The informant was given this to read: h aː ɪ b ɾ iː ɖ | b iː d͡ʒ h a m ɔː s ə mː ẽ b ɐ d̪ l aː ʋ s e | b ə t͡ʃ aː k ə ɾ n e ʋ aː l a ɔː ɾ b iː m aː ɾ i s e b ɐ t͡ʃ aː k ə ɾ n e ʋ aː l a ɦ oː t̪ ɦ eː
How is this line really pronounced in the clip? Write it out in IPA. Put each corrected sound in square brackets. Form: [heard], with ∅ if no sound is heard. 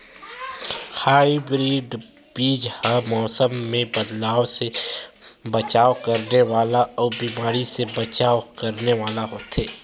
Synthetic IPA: h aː [i] b ɾ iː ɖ | b iː d͡ʒ h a m ɔː s ə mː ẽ b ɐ d̪ l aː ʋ s e | b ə t͡ʃ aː k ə ɾ n e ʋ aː l a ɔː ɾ b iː m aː ɾ i s e b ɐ t͡ʃ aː k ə ɾ n e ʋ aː l a ɦ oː t̪ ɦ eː